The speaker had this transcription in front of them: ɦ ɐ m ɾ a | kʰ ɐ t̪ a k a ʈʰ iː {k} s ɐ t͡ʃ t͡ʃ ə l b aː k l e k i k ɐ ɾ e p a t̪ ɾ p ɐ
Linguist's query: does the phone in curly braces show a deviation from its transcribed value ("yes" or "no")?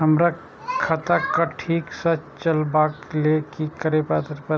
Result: no